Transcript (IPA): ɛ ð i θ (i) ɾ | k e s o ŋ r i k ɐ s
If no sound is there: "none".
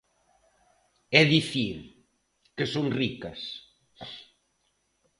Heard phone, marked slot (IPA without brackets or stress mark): i